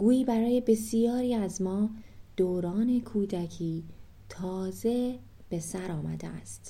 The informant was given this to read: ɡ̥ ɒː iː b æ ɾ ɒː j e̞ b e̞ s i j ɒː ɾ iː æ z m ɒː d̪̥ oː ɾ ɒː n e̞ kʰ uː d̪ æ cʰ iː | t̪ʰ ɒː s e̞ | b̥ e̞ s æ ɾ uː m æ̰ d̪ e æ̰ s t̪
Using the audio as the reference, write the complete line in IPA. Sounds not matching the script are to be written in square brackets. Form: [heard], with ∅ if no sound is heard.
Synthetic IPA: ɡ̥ [uː] iː b æ ɾ ɒː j e̞ b e̞ s i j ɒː ɾ iː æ z m ɒː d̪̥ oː ɾ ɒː n e̞ kʰ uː d̪ æ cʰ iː | t̪ʰ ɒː [z] e̞ | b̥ e̞ s æ ɾ [ɒː] m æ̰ d̪ e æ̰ s t̪